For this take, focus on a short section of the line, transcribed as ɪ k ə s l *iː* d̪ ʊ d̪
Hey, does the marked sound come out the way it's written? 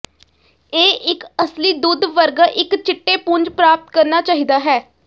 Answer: yes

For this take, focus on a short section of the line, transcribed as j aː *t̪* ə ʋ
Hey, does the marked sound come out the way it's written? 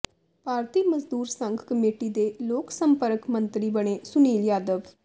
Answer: no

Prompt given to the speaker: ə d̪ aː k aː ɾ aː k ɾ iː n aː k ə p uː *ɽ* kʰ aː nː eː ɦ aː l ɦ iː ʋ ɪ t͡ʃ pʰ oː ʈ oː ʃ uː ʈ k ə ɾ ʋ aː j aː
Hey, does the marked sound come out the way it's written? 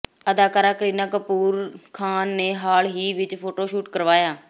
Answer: no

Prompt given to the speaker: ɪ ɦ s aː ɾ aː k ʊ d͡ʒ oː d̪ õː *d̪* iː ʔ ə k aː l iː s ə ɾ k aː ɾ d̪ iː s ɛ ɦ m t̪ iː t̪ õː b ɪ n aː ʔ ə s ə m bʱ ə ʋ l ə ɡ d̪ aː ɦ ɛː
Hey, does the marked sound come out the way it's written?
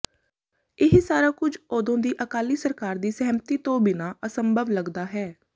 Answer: yes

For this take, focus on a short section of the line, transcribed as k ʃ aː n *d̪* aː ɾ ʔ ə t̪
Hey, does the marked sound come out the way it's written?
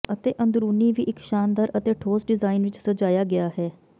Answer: yes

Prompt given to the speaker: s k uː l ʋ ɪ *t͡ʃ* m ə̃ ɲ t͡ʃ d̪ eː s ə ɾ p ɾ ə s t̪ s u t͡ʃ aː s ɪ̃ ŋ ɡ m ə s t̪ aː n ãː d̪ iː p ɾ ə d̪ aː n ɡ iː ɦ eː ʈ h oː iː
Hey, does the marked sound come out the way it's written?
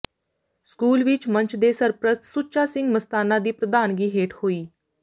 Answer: yes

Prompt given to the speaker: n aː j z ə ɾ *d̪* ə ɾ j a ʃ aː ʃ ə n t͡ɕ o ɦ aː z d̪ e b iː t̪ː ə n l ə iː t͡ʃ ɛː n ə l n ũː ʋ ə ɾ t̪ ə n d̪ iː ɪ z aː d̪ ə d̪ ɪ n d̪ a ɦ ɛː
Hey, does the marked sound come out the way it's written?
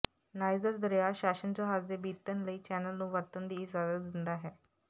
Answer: yes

